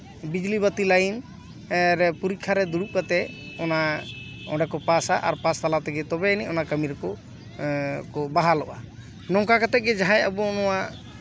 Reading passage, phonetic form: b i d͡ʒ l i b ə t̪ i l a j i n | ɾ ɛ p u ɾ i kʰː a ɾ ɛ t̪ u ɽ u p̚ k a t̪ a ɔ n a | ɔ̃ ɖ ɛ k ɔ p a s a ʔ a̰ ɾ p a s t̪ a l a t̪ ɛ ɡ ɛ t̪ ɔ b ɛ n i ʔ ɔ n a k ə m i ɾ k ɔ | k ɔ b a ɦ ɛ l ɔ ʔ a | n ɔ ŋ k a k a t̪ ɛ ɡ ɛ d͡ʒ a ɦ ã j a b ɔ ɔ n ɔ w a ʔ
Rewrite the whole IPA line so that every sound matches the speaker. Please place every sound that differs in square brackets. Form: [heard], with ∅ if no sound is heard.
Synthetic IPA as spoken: b i d͡ʒ l i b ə t̪ i l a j i n | ɾ ɛ p u ɾ i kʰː a ɾ ɛ [d̪] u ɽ u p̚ k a t̪ [ɛ] ɔ n a | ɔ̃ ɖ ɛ k ɔ p a s a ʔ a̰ ɾ p a s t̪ a l a t̪ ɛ ɡ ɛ t̪ ɔ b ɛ n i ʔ ɔ n a k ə m i ɾ k ɔ | k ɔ b a ɦ [a] l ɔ ʔ a | n ɔ ŋ k a k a t̪ ɛ ɡ ɛ d͡ʒ a ɦ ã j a b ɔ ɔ n ɔ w a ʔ